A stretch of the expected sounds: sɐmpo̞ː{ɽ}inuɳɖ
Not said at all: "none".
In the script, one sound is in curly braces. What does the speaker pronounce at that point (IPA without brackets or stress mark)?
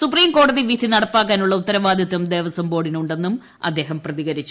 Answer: ɽ